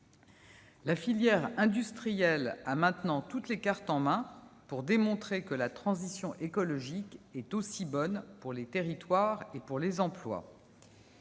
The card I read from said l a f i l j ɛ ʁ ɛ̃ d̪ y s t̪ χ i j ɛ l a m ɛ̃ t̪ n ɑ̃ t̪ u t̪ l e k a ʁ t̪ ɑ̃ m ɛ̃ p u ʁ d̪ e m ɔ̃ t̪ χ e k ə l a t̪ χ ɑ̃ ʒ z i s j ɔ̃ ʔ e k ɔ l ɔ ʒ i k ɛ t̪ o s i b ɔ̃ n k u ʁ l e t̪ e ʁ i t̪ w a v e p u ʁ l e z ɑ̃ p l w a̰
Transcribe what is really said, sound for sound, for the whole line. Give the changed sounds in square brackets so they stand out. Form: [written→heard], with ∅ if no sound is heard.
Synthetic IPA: l a f i l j ɛ ʁ ɛ̃ d̪ y s t̪ χ i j ɛ l a m ɛ̃ t̪ n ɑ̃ t̪ u t̪ l e k a ʁ t̪ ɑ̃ m ɛ̃ p u ʁ d̪ e m ɔ̃ t̪ χ e k ə l a t̪ χ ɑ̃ [ʒ→∅] z i s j ɔ̃ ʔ e k ɔ l ɔ ʒ i k ɛ t̪ o s i b [ɔ̃→ɔ] n [k→p] u ʁ l e t̪ e ʁ i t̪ w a [v→ʁ] e p u ʁ l e z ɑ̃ p l w a̰